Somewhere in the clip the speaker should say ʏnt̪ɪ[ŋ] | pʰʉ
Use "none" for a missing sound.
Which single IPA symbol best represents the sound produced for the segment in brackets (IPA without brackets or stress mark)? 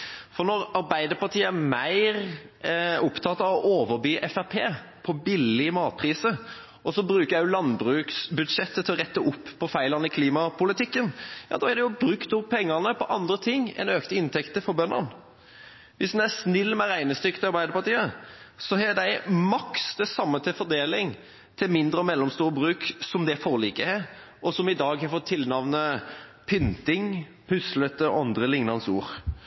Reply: ŋ